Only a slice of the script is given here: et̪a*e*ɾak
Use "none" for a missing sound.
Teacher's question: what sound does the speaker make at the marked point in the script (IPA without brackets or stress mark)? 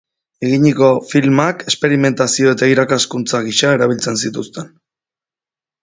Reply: i